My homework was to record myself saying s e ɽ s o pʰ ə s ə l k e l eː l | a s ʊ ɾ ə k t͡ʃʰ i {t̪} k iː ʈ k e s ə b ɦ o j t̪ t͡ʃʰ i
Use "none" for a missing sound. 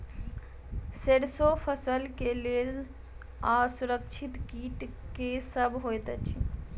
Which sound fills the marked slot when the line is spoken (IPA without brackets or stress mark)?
t̪